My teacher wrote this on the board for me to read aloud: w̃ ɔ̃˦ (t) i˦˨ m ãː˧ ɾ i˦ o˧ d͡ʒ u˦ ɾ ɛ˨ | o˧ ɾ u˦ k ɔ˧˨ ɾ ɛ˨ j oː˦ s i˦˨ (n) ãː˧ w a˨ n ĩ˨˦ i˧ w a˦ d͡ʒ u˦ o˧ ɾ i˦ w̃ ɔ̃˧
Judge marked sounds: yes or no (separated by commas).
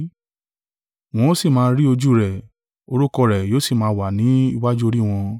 no, no